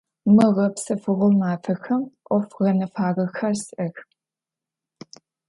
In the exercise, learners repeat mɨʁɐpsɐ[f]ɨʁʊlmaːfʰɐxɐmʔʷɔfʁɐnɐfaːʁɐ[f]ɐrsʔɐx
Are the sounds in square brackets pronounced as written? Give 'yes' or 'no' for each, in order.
yes, no

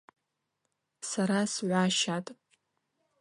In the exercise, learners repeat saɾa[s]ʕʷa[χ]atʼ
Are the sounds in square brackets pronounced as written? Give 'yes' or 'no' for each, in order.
yes, no

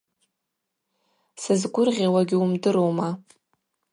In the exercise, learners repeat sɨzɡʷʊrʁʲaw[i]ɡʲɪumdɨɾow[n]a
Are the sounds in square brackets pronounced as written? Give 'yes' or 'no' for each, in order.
no, no

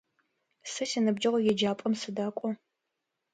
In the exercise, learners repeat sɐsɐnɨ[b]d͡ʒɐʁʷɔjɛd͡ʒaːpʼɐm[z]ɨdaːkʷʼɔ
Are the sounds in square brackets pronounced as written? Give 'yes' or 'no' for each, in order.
yes, no

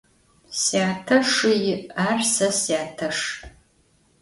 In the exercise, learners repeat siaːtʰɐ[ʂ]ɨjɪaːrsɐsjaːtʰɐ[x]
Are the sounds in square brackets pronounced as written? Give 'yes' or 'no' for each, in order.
yes, no

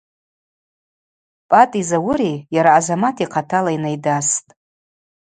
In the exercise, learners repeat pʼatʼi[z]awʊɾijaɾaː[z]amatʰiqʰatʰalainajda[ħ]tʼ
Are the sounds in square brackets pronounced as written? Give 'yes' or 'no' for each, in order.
yes, yes, no

